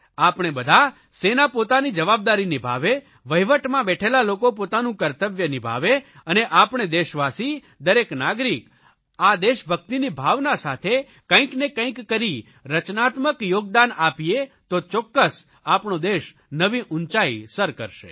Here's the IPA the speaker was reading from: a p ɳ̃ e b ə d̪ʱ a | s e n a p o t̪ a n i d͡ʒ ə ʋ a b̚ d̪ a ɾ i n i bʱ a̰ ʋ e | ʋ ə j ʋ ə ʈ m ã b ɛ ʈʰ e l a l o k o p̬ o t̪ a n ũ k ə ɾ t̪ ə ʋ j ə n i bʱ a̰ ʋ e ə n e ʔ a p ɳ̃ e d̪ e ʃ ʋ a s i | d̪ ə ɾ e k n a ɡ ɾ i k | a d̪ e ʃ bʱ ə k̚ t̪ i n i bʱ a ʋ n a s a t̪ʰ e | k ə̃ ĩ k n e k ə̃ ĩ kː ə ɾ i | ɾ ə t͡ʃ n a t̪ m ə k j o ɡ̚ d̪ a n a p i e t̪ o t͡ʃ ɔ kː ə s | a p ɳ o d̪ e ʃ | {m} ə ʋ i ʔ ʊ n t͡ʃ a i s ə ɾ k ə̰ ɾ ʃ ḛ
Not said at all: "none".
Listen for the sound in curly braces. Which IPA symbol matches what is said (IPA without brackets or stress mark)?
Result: n